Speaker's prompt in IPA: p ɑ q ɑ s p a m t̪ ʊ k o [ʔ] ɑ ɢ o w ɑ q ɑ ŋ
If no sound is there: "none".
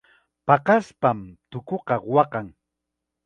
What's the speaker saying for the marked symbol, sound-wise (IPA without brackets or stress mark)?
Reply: q